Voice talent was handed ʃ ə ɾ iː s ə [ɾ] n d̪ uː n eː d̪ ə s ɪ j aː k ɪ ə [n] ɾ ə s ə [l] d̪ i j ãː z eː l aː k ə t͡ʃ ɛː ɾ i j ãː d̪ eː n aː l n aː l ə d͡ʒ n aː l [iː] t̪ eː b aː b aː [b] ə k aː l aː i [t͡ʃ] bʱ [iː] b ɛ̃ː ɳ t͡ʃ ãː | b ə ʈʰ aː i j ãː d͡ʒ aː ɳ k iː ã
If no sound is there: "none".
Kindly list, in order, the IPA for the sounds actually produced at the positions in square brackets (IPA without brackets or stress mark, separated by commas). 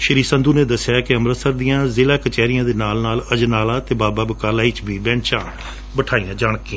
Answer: none, m, ɾ, aː, b, t͡ʃ, iː